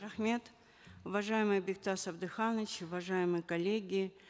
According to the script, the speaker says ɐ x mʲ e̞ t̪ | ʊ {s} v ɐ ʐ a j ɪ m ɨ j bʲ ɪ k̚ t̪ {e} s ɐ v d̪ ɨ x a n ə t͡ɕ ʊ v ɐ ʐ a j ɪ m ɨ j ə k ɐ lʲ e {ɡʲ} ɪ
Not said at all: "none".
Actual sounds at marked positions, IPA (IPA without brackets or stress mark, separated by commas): none, a, ɡʲ